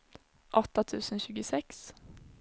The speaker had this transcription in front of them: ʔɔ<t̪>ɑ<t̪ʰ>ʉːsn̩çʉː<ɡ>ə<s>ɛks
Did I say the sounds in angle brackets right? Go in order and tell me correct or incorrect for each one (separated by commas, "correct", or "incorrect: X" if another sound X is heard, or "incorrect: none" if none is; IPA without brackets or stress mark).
correct, correct, correct, correct